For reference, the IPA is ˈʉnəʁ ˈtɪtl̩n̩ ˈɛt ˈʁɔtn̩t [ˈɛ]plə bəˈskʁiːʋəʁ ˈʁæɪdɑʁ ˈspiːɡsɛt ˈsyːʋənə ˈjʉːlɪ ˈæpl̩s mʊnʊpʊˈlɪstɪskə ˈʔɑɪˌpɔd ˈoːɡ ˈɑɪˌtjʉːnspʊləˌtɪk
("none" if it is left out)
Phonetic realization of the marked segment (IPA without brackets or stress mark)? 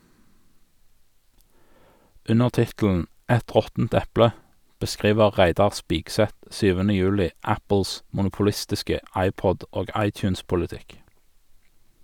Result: ɛ